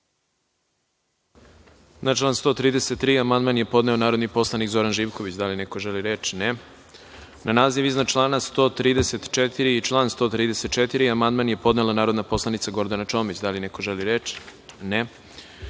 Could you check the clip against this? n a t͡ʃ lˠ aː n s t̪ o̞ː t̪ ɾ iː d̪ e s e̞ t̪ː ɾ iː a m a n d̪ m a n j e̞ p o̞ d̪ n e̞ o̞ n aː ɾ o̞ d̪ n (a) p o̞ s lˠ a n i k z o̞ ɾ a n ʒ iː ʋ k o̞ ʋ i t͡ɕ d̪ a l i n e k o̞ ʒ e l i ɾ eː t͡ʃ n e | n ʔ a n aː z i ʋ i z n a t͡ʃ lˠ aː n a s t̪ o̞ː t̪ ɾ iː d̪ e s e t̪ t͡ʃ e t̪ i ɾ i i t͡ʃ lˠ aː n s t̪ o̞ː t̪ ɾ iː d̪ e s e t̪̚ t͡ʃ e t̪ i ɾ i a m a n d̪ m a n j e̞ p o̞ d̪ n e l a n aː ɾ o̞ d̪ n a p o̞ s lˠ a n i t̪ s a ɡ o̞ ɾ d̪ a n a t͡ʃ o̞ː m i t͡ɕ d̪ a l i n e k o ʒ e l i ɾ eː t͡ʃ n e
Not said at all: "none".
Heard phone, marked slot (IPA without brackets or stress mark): i